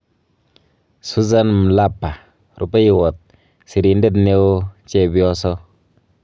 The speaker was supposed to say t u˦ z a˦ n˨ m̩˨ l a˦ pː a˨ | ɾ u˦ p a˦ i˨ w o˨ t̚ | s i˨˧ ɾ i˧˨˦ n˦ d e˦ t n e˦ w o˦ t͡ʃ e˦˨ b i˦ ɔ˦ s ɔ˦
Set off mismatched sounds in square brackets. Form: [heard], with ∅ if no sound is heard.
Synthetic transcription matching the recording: [s] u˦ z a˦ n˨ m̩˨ l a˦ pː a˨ | ɾ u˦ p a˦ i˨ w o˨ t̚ | s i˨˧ ɾ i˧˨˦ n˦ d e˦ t n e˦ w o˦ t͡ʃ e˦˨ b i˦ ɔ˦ s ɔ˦